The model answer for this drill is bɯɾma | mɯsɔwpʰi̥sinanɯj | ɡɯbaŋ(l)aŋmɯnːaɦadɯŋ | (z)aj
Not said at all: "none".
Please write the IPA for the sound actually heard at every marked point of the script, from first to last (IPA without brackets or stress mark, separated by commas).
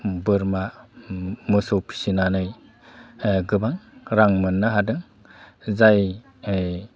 ɾ, z